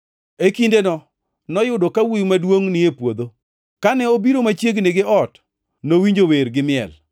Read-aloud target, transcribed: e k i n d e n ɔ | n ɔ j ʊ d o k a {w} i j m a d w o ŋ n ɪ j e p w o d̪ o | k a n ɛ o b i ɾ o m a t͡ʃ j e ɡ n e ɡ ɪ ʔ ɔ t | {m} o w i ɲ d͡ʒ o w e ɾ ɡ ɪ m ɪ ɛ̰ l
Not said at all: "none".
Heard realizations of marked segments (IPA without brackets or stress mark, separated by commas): w, n